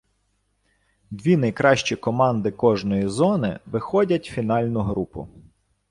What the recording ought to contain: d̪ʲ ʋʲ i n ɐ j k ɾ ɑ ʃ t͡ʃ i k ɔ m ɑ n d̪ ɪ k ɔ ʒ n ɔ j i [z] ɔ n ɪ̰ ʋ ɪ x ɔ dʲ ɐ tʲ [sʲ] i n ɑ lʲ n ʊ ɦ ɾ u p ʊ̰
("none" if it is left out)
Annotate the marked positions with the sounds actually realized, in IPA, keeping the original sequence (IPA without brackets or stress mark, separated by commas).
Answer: z, fʲ